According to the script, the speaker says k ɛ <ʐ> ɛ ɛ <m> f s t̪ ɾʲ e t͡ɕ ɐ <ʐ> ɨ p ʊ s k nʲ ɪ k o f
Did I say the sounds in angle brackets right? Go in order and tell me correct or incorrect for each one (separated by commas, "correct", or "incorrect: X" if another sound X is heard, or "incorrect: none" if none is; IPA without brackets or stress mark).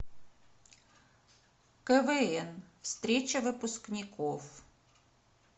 incorrect: v, incorrect: n, incorrect: v